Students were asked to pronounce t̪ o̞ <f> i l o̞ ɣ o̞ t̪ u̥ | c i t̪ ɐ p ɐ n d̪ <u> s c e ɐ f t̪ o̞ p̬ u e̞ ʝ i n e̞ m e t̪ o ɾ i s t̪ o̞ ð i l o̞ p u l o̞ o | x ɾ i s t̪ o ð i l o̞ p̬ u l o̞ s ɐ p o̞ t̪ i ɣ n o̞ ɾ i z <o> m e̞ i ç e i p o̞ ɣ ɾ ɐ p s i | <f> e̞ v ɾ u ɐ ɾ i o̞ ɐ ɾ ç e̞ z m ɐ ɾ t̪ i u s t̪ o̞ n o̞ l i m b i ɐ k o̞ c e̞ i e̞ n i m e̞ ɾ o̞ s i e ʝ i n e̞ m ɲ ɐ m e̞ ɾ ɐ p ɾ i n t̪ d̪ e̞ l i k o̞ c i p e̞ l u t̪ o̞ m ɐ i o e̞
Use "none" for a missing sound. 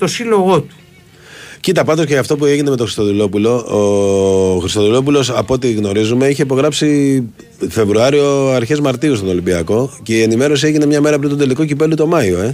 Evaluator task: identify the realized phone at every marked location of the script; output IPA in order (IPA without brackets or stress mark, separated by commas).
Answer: s, o, u, f